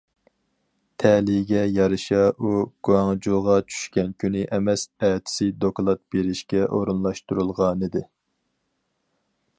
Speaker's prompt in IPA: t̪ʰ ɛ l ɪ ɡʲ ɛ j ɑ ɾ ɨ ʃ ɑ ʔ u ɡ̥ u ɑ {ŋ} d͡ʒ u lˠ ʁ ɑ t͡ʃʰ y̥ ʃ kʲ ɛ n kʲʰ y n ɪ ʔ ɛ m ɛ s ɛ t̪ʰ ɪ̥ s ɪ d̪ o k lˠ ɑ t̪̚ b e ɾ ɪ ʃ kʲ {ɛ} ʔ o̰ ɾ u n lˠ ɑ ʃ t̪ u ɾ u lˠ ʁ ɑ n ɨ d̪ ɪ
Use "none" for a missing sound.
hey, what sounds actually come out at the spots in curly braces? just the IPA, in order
ŋ, ɛ

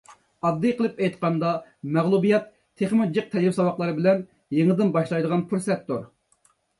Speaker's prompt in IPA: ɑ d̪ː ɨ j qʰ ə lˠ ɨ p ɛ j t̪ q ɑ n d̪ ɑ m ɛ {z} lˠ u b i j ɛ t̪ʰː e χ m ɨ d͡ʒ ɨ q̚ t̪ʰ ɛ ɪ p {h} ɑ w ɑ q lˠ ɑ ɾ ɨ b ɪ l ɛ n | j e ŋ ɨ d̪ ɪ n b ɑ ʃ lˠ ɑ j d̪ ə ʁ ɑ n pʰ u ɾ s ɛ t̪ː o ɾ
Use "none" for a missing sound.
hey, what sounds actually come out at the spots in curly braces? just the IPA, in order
ʁ, s

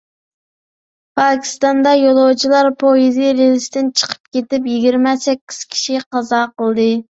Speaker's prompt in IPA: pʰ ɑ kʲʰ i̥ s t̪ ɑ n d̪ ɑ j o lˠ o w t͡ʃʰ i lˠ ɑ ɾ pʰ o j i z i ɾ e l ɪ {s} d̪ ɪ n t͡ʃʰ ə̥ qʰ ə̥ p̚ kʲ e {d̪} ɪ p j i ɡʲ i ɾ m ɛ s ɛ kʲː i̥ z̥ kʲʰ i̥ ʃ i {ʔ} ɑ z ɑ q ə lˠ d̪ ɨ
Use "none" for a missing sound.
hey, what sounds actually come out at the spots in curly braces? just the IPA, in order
s, t̪, q

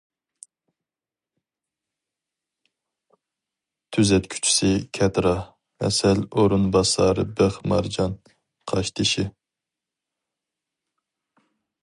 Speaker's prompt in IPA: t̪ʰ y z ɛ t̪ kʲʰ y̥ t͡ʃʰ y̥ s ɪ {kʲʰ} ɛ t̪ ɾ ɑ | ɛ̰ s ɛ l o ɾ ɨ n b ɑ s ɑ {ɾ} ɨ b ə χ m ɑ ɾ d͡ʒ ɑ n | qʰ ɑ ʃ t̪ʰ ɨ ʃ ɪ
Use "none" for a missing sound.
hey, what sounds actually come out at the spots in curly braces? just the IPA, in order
kʲʰ, ɾ

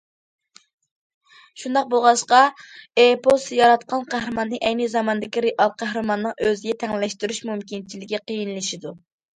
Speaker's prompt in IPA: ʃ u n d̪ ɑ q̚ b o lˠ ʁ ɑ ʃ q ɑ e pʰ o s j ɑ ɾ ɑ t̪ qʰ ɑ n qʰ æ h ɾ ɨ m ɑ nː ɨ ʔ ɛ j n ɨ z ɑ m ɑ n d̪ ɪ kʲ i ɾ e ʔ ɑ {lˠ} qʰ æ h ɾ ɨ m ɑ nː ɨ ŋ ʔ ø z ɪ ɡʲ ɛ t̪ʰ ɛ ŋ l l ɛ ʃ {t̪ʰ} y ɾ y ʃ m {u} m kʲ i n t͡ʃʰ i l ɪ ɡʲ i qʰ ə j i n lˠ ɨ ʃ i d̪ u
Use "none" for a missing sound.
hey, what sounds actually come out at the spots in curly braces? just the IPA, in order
lˠ, t̪, u

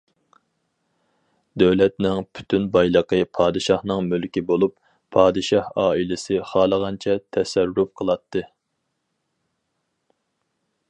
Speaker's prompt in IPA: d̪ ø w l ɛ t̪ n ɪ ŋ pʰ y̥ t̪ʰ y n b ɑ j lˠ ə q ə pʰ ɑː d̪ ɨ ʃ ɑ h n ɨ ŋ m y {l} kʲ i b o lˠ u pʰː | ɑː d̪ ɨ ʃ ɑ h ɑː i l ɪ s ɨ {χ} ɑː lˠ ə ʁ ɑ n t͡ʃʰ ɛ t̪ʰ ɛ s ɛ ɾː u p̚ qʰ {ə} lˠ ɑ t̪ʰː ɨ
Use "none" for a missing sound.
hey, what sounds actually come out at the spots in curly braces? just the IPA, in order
l, χ, ə

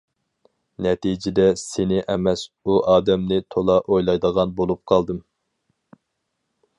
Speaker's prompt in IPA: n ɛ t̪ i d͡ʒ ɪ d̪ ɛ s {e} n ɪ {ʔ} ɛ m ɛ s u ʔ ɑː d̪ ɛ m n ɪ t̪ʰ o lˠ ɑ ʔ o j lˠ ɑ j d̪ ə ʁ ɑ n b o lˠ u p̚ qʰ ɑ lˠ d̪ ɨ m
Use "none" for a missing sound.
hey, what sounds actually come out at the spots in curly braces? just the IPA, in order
e, ʔ

